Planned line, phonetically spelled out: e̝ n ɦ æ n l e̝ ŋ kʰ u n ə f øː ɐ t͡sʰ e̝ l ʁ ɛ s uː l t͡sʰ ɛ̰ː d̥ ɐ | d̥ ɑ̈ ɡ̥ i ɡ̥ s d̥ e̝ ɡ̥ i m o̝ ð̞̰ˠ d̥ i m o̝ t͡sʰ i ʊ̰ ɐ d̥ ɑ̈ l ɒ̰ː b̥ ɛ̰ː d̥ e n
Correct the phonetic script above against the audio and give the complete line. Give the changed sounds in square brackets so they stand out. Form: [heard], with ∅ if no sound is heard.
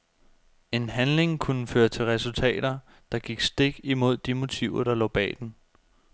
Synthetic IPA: e̝ n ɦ æ n l e̝ ŋ kʰ u n ə f øː ɐ t͡sʰ e̝ l ʁ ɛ s [u] l t͡sʰ ɛ̰ː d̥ ɐ | d̥ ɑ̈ ɡ̥ i ɡ̥ s d̥ e̝ ɡ̥ i m o̝ ð̞̰ˠ d̥ i m o̝ t͡sʰ i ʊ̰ ɐ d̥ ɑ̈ l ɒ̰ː b̥ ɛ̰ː d̥ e n